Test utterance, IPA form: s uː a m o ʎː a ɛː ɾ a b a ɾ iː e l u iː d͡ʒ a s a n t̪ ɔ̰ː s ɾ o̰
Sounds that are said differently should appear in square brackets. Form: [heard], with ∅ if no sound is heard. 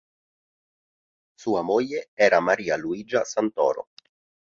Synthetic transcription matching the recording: s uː a m o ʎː [e] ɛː ɾ a [m] a ɾ iː [a] l u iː d͡ʒ a s a n t̪ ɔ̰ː [∅] ɾ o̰